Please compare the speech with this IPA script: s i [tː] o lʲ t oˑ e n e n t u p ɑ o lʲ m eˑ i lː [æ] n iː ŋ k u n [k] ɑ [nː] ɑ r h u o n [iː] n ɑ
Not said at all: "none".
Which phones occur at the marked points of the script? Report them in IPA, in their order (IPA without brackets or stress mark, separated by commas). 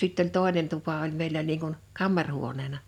tː, æ, k, mː, eː